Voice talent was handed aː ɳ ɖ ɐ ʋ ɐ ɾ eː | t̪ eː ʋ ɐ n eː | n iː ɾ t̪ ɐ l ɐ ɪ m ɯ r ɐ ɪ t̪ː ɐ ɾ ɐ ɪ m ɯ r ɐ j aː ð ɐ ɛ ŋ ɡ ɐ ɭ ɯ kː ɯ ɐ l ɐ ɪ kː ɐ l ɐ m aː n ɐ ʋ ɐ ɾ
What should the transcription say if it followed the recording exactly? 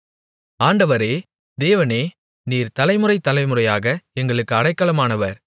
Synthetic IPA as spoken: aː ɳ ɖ ɐ ʋ ɐ ɾ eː | d̪ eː ʋ ɐ n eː | n iː ɾ t̪ ɐ l ɐ ɪ m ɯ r ɐ ɪ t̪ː ɐ l ɐ ɪ m ɯ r ɐ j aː ɣ ɐ ɛ ŋ ɡ ɐ ɭ ɯ kː ɯ ɐ ɽ ɐ ɪ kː ɐ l ɐ m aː n ɐ ʋ ɐ ɾ